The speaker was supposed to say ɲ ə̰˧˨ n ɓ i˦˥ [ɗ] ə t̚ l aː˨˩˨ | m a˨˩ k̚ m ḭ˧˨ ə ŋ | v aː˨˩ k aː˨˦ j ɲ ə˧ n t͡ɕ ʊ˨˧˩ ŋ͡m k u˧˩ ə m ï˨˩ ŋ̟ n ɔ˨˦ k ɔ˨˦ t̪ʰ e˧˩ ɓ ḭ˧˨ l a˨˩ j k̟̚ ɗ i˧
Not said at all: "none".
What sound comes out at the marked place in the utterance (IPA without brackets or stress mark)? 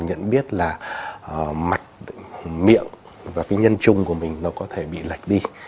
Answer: none